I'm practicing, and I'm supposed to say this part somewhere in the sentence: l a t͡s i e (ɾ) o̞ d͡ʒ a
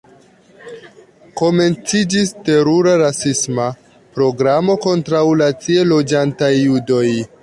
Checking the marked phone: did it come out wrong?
yes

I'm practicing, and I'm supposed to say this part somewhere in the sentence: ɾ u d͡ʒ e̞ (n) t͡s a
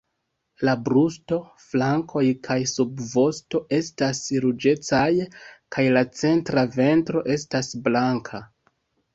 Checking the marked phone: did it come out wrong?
yes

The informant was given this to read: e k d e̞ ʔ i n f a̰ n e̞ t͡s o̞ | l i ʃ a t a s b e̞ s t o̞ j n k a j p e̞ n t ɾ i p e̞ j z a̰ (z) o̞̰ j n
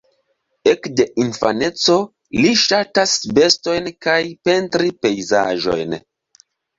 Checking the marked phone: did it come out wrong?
yes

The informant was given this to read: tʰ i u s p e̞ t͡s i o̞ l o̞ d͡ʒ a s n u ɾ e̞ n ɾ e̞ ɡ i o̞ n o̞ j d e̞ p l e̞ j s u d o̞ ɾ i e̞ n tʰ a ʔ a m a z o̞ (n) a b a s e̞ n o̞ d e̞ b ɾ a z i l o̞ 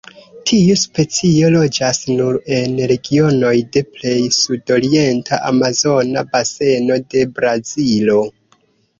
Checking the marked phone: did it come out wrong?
no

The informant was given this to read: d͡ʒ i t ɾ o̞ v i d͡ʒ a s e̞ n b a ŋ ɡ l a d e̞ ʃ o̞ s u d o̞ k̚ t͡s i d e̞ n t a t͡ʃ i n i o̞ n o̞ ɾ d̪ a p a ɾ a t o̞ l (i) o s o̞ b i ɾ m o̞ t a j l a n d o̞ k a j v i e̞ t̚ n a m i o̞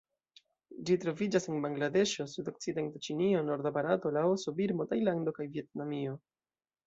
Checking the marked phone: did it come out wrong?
yes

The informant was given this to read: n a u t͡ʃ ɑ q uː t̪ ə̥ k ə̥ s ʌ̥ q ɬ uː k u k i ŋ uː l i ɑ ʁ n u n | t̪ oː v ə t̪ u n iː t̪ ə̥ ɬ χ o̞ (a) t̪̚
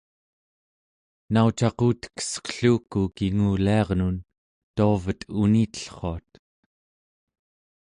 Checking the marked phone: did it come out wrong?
no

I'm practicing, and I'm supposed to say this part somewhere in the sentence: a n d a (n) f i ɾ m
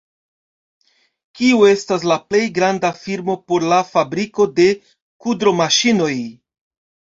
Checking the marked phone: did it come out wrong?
yes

